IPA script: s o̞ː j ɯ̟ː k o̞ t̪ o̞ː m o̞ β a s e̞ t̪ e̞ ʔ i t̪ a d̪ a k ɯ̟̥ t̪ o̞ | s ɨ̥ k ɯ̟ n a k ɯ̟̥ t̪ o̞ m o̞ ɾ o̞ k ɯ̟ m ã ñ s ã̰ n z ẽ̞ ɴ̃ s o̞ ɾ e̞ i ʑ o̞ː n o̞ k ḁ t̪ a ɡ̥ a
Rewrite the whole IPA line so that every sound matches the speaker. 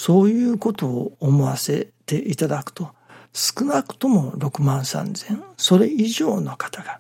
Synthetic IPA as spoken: s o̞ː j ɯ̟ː k o̞ t̪ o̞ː m o̞ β a s e̞ t̪ e̞ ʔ i t̪ a d̪ a k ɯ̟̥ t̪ o̞ | s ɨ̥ k ɯ̟ n a k ɯ̟̥ t̪ o̞ m o̞ ɾ o̞ k ɯ̟ m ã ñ s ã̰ n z ẽ̞ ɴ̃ s o̞ ɾ e̞ i ʑ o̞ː n o̞ k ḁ t̪ a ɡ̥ a